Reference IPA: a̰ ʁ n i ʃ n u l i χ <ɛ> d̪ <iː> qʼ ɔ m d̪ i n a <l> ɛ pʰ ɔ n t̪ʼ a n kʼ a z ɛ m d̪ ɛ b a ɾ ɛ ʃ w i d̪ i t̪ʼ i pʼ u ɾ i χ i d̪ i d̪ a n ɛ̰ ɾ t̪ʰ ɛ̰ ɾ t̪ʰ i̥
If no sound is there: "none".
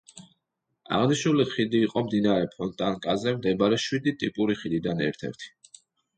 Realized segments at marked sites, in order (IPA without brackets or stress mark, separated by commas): i, iː, ɾ